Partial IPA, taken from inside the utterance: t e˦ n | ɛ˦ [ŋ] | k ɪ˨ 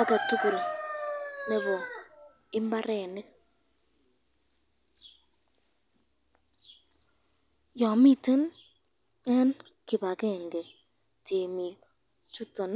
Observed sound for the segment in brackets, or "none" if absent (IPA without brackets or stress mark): n